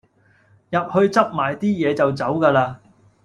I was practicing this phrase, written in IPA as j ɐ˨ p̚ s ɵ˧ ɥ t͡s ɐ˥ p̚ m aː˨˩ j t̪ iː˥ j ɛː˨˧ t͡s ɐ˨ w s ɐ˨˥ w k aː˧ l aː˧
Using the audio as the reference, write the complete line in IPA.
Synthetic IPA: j ɐ˨ p̚ h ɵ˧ ɥ t͡s ɐ˥ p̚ m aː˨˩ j t̪ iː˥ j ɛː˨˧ t͡s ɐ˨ w t͡s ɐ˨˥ w k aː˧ l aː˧